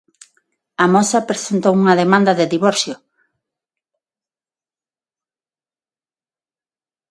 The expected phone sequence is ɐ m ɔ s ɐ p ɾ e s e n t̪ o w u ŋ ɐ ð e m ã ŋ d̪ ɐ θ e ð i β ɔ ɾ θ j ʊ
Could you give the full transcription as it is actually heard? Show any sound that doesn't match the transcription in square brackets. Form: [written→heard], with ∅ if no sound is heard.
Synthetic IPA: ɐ m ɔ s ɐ p ɾ e s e n t̪ o w u ŋ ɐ ð e m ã [ŋ→n] d̪ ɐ [θ→ð] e ð i β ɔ ɾ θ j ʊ